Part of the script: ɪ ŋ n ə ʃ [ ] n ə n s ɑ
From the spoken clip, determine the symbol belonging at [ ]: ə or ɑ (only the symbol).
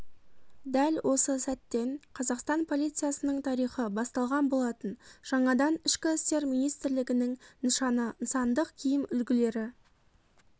ɑ